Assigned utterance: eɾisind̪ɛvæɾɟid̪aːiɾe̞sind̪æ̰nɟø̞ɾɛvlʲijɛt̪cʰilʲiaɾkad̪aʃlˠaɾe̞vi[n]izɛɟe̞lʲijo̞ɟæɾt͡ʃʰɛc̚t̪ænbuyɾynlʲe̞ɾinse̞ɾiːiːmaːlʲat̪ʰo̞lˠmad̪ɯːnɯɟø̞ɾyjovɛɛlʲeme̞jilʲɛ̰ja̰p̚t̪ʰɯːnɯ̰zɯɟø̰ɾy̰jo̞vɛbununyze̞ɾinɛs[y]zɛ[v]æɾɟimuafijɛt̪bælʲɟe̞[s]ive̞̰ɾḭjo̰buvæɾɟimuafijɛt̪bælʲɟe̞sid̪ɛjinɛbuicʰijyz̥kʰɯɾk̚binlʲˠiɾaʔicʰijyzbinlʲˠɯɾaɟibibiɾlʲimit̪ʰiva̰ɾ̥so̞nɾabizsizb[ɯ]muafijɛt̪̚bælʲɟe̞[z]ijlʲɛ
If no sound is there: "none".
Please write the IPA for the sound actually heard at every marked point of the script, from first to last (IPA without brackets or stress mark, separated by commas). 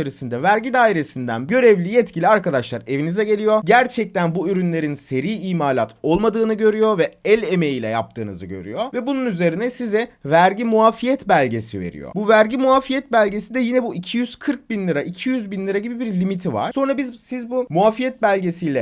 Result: n, i, v, s, u, s